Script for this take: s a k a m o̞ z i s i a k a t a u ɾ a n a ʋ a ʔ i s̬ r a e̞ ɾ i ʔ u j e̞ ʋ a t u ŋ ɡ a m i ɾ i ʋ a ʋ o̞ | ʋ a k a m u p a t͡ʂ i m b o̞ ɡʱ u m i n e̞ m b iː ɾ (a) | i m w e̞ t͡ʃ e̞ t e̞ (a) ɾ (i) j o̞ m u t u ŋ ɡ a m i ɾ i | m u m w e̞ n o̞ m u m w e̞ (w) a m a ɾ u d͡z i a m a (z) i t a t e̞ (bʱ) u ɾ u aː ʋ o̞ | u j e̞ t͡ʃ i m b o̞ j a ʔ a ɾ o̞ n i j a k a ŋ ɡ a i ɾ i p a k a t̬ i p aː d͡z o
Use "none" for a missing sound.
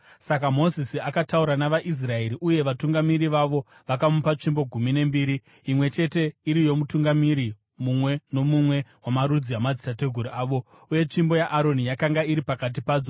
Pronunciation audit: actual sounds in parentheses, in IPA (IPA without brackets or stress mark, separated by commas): i, i, i, w, d͡z, ɡʱ